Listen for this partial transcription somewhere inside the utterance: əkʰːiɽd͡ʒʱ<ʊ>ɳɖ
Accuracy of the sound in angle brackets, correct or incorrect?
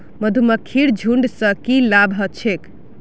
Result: incorrect: u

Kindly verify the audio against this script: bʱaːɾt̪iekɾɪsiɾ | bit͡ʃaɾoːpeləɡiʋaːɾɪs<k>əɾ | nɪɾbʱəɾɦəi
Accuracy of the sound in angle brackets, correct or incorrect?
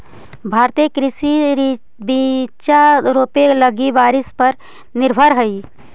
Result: incorrect: p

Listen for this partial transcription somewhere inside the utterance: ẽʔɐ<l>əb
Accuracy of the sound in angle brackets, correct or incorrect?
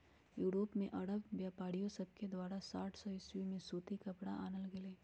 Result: incorrect: ɽ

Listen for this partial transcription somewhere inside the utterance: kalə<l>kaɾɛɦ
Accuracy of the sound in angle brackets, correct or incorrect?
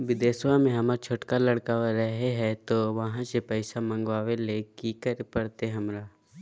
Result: incorrect: ɽ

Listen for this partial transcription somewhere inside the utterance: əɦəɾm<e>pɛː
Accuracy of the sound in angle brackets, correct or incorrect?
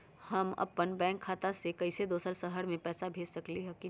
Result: incorrect: ẽ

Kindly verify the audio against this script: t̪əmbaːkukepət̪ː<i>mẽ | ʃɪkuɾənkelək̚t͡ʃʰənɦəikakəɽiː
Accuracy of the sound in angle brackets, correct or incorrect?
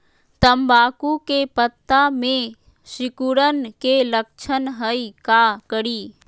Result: incorrect: a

